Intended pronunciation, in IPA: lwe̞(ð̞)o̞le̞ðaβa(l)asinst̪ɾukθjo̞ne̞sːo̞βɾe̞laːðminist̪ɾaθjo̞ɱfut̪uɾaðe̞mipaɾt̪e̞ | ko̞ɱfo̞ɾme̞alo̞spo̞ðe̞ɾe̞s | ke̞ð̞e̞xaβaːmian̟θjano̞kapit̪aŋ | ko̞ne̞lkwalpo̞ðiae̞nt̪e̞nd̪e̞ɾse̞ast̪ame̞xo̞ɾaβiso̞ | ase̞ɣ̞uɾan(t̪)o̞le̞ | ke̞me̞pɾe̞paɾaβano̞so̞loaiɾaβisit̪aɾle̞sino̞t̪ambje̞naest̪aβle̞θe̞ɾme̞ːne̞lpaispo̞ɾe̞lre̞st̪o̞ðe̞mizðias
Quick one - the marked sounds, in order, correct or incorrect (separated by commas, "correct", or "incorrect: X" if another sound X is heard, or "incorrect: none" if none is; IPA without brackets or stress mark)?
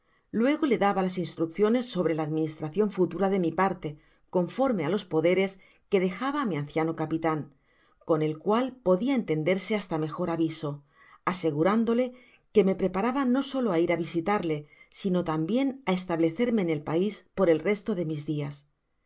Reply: incorrect: ɣ̞, correct, incorrect: d̪